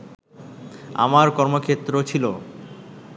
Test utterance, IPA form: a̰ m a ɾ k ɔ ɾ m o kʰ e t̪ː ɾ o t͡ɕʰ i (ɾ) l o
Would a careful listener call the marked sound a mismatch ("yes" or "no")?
yes